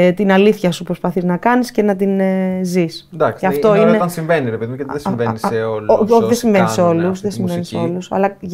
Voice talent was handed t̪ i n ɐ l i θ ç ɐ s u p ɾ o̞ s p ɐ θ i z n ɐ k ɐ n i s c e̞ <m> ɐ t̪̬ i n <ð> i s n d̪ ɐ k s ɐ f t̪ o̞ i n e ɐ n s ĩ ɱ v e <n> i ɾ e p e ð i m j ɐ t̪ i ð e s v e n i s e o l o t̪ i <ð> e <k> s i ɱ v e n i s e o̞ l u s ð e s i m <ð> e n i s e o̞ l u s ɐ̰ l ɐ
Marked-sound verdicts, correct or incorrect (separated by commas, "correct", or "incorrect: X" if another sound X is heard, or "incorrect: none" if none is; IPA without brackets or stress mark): incorrect: n, incorrect: z, correct, correct, incorrect: none, incorrect: v